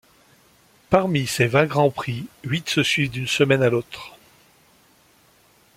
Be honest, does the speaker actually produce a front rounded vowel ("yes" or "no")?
yes